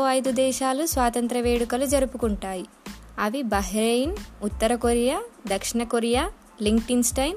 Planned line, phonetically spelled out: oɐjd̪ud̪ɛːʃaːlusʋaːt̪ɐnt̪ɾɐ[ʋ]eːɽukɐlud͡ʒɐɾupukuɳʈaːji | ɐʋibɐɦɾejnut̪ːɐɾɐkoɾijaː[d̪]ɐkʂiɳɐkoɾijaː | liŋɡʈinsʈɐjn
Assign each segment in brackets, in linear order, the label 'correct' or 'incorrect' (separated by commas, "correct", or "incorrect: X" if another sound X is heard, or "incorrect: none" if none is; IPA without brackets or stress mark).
correct, correct